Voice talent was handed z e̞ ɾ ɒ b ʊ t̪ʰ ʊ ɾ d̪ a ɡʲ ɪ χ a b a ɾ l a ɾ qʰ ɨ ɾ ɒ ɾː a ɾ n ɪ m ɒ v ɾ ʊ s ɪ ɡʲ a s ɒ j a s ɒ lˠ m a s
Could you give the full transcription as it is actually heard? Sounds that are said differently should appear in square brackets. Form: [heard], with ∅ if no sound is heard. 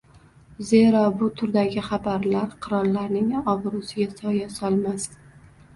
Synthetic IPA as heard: z e̞ ɾ ɒ b ʊ t̪ʰ ʊ ɾ d̪ a ɡʲ ɪ χ a b a ɾ l a ɾ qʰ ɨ ɾ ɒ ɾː a ɾ n ɪ [ŋ] ɒ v ɾ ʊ s ɪ ɡʲ a s ɒ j a s ɒ lˠ m a s